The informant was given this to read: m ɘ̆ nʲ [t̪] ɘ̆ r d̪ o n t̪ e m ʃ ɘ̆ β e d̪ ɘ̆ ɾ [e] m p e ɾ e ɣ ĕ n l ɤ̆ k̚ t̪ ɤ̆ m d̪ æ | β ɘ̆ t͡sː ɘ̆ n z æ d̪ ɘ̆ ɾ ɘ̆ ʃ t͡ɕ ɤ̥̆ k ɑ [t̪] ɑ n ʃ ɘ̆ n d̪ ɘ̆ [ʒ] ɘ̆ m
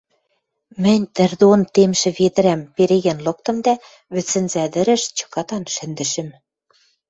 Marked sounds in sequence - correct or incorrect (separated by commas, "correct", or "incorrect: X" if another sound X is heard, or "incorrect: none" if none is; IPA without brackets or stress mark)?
correct, incorrect: æ, correct, incorrect: ʃ